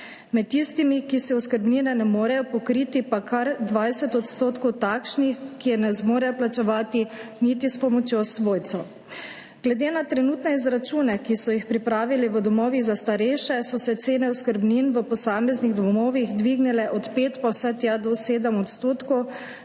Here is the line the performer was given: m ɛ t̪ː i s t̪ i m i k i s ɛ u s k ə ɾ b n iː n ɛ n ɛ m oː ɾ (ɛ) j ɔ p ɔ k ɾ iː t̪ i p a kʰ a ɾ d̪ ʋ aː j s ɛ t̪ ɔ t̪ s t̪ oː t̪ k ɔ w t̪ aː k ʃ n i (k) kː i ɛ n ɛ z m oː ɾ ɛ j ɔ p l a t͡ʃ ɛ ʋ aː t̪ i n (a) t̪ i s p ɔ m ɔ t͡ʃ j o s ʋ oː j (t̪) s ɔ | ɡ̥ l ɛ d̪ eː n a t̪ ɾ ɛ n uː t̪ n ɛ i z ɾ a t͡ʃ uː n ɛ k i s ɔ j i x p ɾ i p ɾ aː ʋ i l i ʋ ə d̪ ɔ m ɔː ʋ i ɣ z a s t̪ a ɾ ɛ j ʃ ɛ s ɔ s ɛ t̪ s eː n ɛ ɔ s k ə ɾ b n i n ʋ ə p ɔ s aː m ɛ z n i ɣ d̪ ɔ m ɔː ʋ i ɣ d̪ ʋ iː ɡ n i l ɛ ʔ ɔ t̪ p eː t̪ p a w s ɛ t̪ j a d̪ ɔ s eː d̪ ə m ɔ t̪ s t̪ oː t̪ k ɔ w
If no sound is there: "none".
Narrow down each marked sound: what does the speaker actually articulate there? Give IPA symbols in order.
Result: ɛ, x, i, t̪

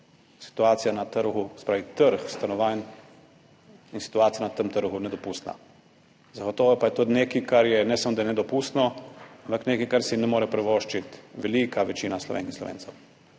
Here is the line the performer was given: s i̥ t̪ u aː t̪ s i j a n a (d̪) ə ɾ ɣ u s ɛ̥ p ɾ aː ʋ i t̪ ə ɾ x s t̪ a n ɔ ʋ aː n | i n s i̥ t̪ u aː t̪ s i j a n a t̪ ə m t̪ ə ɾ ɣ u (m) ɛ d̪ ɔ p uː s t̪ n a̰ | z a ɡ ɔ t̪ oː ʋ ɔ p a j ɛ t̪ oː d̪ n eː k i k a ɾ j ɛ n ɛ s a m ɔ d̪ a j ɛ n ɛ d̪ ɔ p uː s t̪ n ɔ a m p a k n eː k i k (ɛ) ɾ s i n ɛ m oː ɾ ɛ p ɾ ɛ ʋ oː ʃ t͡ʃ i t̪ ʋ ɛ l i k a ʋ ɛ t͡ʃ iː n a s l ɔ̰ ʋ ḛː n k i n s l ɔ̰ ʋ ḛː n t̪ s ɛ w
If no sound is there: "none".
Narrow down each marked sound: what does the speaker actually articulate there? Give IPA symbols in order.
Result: t̪, n, a

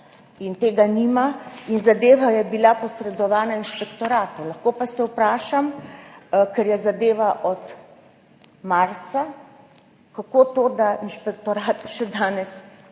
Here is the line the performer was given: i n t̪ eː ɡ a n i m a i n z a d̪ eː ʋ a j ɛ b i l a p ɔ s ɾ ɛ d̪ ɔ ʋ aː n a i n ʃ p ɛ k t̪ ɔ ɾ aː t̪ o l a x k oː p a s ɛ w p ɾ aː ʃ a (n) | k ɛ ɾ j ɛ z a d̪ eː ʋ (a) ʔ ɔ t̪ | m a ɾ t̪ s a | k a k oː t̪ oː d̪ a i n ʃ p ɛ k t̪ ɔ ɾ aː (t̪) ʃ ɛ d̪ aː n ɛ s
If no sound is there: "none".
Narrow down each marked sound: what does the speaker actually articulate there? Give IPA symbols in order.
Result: m, a, t̪

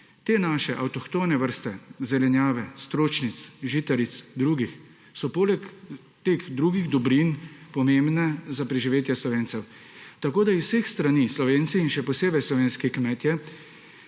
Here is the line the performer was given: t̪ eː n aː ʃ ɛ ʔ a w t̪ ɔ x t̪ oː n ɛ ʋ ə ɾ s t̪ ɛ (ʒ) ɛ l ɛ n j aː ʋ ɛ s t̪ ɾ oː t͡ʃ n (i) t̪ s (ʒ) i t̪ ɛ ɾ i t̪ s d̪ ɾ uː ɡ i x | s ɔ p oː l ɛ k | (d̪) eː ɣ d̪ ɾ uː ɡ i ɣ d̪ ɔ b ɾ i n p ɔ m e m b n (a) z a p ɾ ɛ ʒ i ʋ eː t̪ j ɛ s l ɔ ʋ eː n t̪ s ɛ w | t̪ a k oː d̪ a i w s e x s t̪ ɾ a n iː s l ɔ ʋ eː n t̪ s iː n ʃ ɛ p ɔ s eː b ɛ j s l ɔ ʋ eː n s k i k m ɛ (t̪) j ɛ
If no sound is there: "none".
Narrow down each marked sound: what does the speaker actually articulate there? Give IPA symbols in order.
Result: z, i, ʒ, t̪, ɛ, t̪

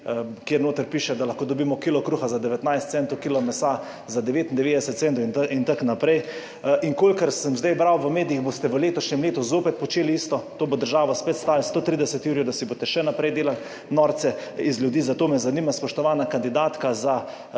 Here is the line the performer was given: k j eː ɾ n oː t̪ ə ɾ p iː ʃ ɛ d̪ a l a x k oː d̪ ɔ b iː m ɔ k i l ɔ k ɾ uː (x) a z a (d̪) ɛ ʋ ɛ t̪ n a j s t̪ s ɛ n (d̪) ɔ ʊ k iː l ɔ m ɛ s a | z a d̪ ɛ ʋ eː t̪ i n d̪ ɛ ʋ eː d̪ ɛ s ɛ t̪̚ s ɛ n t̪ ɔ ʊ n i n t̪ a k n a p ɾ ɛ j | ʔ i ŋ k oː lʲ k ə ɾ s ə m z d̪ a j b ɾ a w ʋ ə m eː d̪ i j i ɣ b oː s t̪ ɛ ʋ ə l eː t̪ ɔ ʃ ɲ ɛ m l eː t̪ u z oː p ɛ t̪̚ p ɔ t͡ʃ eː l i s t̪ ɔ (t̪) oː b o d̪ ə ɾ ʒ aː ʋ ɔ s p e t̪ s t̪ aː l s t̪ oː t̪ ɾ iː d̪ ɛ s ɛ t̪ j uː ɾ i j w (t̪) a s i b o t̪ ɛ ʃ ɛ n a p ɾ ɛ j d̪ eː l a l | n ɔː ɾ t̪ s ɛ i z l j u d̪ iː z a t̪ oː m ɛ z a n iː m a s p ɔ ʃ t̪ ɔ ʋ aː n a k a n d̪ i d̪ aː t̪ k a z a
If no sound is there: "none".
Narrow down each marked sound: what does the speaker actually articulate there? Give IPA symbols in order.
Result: x, d̪, t̪, t̪, d̪

